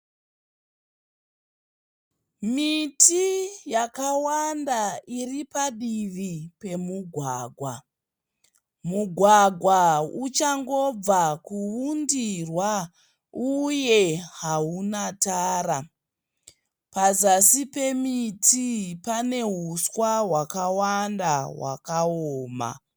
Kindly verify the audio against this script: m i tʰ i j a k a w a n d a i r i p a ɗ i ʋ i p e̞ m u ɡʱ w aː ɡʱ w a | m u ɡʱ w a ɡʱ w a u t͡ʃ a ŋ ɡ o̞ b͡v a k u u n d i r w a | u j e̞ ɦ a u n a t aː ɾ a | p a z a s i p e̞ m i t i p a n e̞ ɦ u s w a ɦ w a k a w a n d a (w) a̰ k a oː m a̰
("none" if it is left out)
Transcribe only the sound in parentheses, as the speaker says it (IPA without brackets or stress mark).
w